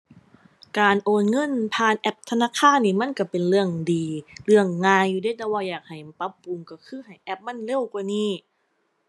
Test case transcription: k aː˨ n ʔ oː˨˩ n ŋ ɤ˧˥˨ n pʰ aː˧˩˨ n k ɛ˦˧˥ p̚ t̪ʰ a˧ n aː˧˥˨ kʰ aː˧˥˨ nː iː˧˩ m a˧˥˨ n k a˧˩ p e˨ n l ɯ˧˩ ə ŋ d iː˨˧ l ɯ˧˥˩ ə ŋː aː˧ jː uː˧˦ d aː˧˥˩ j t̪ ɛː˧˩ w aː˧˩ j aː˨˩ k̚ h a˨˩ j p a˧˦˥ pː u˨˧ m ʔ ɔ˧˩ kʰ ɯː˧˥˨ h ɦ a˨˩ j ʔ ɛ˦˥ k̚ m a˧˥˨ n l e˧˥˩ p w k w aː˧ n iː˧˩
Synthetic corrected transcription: k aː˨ n ʔ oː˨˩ n ŋ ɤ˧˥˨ n pʰ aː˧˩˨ n ʔ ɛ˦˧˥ p̚ t̪ʰ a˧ n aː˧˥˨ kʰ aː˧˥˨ nː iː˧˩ m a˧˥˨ n k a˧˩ p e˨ n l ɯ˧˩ ə ŋ d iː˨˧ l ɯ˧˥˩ ə ŋː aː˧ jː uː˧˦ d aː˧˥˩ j t̪ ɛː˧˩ w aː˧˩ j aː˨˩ k̚ h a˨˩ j p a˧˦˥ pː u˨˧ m k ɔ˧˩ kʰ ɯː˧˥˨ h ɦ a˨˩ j ʔ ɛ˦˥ p̚ m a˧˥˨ n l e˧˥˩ w k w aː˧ n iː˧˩